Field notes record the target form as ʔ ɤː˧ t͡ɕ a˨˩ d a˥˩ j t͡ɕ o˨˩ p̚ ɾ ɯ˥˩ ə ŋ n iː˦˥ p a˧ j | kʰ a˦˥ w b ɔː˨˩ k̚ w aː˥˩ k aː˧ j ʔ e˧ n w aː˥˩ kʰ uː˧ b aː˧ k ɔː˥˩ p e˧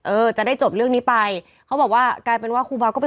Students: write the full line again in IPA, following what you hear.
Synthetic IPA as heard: ʔ ɤː˧ t͡ɕ a˨˩ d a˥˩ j t͡ɕ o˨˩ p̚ ɾ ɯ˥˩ ə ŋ n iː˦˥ p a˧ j | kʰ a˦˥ w b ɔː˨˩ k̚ w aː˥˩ k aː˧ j p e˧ n w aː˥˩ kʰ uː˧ b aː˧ k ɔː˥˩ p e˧